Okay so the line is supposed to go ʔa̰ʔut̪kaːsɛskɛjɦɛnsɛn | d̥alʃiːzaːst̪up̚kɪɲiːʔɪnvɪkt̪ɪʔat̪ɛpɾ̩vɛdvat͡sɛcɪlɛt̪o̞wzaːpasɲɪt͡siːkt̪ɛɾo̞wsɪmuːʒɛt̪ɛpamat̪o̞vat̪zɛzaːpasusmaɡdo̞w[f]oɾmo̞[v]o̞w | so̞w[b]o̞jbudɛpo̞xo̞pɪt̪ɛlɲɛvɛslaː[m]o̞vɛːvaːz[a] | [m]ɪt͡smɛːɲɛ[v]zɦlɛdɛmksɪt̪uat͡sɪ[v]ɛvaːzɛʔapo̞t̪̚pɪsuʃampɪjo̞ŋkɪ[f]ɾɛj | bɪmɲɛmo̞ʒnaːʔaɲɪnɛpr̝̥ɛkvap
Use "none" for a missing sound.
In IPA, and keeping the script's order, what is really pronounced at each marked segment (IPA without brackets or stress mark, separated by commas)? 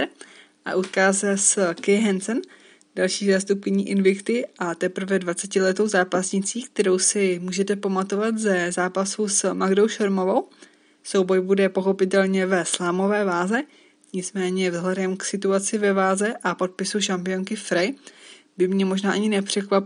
ʃ, v, b, m, ɛ, ɲ, v, v, f